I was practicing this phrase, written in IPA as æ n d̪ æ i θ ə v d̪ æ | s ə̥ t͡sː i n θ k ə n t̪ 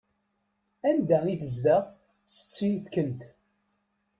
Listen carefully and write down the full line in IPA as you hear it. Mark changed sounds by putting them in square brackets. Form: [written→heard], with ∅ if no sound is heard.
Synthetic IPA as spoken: æ n d̪ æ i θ ə [v→z] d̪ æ | s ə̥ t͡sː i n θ k ə n t̪